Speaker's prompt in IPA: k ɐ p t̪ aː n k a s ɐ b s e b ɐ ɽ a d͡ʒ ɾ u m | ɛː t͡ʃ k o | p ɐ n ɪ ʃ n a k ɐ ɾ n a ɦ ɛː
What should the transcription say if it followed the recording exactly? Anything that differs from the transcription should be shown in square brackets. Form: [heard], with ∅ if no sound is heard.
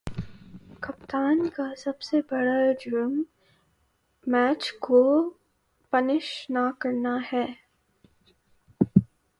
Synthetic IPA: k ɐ p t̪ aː n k a s ɐ b s e b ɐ ɽ a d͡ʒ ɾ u m | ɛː t͡ʃ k o | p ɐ n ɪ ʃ n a k ɐ ɾ n a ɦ ɛː